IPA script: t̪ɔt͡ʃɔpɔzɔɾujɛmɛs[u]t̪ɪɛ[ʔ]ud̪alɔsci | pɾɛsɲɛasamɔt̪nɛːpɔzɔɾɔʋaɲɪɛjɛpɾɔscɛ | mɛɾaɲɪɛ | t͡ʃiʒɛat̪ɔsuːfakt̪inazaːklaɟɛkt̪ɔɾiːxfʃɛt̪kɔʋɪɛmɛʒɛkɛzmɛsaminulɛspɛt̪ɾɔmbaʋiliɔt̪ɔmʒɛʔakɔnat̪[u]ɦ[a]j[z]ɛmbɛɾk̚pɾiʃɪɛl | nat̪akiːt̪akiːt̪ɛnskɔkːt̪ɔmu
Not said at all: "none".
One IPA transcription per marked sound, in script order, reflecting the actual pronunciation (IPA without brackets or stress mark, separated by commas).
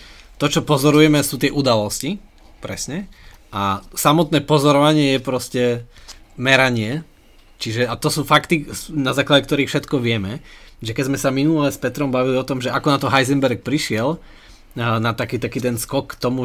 uː, ʔ, ɔ, a, z